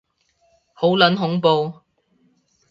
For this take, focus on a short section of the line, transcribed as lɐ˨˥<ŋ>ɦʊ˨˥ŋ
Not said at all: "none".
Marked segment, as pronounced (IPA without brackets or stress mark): n